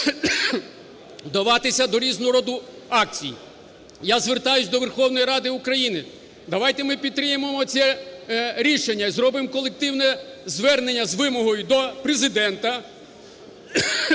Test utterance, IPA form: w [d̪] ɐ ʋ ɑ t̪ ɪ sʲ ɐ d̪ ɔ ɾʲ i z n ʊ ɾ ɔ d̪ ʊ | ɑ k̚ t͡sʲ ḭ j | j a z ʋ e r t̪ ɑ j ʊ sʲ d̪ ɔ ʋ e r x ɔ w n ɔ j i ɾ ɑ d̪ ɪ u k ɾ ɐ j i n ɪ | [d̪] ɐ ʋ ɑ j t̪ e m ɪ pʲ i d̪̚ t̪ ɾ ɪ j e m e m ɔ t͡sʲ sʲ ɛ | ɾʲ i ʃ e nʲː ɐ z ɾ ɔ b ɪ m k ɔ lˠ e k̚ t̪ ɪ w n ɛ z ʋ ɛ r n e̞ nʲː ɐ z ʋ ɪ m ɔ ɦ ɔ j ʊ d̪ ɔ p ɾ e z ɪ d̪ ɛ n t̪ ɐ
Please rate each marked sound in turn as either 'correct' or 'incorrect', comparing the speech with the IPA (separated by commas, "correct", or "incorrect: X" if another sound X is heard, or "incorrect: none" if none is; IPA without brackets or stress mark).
correct, correct